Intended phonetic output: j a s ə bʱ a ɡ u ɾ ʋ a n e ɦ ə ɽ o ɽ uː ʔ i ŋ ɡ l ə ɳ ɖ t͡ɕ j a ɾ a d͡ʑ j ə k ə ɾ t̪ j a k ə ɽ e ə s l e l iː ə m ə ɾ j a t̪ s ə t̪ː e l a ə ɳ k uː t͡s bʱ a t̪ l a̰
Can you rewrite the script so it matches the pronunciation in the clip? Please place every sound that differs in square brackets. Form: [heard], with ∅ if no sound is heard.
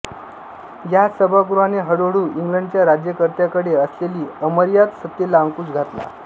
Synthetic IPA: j a s ə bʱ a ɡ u ɾ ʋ a n e ɦ ə ɽ o ɽ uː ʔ i ŋ ɡ l ə ɳ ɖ t͡ɕ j a ɾ a d͡ʑ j ə k ə ɾ t̪ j a k ə ɽ e ə s l e l iː ə m ə ɾ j a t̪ s ə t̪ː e l a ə [ŋ] k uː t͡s [ɡʱ] a t̪ l a̰

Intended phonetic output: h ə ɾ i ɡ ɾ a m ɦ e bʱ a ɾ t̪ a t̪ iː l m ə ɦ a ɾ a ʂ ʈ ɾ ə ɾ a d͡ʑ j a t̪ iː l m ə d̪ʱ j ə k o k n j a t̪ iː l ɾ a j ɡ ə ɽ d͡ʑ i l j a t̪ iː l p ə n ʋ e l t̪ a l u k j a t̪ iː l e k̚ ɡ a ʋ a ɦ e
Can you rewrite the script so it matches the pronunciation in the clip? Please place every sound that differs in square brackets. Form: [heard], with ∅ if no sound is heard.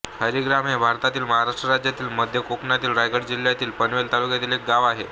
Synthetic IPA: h ə ɾ i ɡ ɾ a m ɦ e bʱ a ɾ t̪ a t̪ iː l m ə ɦ a ɾ a ʂ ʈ ɾ ə ɾ a d͡ʑ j a t̪ iː l m ə d̪ʱ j ə k o k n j a t̪ iː l ɾ a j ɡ ə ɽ d͡ʑ i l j a t̪ iː l p ə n ʋ e l t̪ a l u k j a t̪ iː l e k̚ ɡ a ʋ a ɦ e

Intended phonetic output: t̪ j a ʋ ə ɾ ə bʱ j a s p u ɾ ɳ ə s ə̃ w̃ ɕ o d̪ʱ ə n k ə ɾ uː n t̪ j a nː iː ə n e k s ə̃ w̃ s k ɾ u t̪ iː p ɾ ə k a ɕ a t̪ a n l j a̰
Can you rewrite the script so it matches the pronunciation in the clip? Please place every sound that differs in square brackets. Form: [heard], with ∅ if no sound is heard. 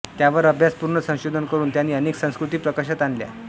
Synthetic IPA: t̪ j a ʋ ə ɾ ə bʱ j a s p u ɾ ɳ ə s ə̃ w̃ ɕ o d̪ʱ ə n k ə ɾ uː n t̪ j a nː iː ə n e k s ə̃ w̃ s k ɾ u t̪ iː p ɾ ə k a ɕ a t̪ a n l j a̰

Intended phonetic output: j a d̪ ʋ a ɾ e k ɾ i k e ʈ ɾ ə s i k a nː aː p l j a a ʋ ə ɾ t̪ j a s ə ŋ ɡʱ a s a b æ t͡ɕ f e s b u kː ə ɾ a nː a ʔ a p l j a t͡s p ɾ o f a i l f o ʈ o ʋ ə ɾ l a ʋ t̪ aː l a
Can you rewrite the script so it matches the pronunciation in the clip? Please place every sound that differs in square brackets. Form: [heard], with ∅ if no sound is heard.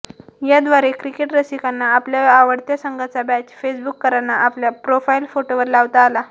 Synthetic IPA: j a d̪ ʋ a ɾ e k ɾ i k e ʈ ɾ ə s i k a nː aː p l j a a ʋ ə [ɽ] t̪ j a s ə ŋ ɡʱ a [t͡s] a b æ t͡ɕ f e s b u kː ə ɾ a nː a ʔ a p l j a [∅] p ɾ o f a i l f o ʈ o ʋ ə ɾ l a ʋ t̪ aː l a

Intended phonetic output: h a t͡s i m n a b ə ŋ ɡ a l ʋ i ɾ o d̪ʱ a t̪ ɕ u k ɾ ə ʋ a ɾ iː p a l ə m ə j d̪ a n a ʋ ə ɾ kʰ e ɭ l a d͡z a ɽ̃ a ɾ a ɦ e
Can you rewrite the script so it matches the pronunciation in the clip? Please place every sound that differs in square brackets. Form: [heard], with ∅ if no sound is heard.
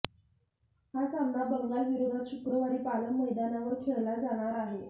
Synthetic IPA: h a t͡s [a] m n a b ə ŋ ɡ a l ʋ i ɾ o d̪ʱ a t̪ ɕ u k ɾ ə ʋ a ɾ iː p a l ə m ə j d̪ a n a ʋ ə ɾ kʰ e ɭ l a d͡z a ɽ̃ a ɾ a ɦ e

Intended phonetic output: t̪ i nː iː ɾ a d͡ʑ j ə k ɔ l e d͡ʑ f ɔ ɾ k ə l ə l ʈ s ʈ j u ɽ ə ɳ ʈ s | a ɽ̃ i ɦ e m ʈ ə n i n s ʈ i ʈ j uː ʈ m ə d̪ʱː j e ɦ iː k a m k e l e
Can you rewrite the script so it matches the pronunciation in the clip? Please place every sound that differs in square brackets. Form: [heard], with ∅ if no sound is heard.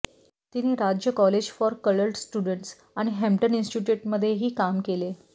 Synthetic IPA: t̪ i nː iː ɾ a d͡ʑ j ə k ɔ l e d͡ʑ f ɔ ɾ k ə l ə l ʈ s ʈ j u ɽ ə ɳ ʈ s | a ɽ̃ i ɦ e m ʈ ə n i n s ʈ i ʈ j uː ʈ m ə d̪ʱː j e ɦ iː k a m k e l e

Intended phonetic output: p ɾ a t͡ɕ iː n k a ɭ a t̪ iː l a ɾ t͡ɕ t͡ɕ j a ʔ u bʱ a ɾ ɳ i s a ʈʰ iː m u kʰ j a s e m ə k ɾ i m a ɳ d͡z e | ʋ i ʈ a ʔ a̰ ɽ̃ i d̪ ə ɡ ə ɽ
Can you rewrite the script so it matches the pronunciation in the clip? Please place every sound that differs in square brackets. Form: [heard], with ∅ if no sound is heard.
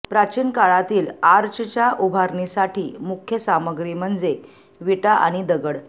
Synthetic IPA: p ɾ a t͡ɕ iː n k a ɭ a t̪ iː l a ɾ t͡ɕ t͡ɕ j a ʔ u bʱ a ɾ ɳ i s a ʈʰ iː m u kʰ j [ə] s [a] m ə [ɡ] ɾ i m [ə] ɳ d͡z e | ʋ i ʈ a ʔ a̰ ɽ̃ i d̪ ə ɡ ə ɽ

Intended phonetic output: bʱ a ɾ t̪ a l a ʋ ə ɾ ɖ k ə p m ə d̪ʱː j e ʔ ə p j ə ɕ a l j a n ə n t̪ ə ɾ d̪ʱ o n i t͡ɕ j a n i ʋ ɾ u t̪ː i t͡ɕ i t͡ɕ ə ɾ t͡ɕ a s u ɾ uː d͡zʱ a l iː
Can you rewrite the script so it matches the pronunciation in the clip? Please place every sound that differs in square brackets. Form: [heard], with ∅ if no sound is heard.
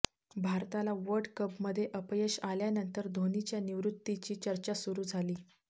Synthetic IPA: bʱ a ɾ t̪ a l a ʋ ə ɾ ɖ k ə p m ə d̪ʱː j e ʔ ə p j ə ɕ a l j a n ə n t̪ ə ɾ d̪ʱ o n i t͡ɕ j a n i ʋ ɾ u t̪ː i t͡ɕ [iː] t͡ɕ ə ɾ t͡ɕ a s u ɾ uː d͡zʱ a l iː

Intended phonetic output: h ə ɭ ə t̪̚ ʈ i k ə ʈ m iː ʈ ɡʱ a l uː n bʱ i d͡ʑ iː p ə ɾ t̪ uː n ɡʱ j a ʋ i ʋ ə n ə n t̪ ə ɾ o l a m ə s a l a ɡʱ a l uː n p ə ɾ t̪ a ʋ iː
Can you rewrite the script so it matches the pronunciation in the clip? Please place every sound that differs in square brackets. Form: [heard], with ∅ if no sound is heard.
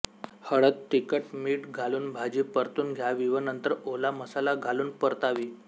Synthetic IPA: h ə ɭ ə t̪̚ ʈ i k ə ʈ m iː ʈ ɡʱ a l uː n bʱ [a] d͡ʑ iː p ə ɾ t̪ uː n ɡʱ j a ʋ i ʋ ə n ə n t̪ ə ɾ o l a m ə s a l a ɡʱ a l uː n p ə ɾ t̪ a ʋ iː

